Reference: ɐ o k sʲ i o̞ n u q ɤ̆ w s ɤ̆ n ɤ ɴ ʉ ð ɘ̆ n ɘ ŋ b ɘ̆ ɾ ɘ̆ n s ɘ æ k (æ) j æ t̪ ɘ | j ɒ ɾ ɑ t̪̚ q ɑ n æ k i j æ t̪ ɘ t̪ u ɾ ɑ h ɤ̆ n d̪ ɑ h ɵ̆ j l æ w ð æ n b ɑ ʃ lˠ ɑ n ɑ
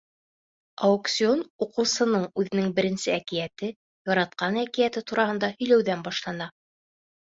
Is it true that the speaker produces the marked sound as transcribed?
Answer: no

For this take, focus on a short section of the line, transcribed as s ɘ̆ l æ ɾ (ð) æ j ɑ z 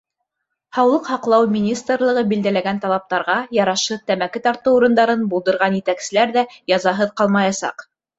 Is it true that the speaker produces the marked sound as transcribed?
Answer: yes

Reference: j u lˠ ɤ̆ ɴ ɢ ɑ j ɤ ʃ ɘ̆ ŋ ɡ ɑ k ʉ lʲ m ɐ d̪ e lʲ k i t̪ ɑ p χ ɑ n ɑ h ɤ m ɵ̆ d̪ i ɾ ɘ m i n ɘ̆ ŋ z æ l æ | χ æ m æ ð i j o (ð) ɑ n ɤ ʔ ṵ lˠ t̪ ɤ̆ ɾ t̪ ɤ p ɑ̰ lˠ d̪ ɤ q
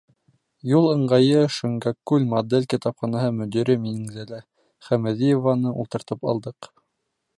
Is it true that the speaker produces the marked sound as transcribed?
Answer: no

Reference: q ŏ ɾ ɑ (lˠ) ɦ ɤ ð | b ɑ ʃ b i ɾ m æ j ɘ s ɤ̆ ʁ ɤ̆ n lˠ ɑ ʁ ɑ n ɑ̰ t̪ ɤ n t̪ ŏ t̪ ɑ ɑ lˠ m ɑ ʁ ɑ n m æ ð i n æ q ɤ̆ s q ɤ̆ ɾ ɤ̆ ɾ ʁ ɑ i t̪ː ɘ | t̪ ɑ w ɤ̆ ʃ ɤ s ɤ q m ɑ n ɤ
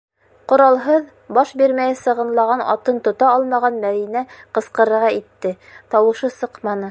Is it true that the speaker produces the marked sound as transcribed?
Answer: yes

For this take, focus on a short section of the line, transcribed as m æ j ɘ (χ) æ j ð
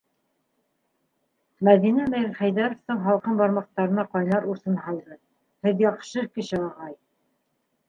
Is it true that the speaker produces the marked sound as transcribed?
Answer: yes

